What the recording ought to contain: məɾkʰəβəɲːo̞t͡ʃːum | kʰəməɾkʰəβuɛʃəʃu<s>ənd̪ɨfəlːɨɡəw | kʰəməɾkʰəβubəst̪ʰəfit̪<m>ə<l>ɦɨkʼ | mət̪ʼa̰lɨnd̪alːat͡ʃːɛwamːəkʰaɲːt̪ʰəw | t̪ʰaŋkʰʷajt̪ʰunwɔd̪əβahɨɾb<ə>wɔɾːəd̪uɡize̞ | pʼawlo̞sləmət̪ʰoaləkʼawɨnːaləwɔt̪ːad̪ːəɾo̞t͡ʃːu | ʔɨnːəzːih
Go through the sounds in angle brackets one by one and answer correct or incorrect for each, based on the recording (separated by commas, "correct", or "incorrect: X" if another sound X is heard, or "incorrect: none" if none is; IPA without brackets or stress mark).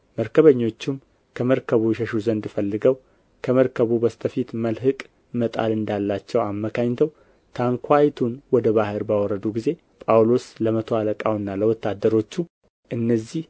incorrect: z, correct, correct, incorrect: a